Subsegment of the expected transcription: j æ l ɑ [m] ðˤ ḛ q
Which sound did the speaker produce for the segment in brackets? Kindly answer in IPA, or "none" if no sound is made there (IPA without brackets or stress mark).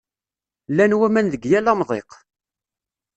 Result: m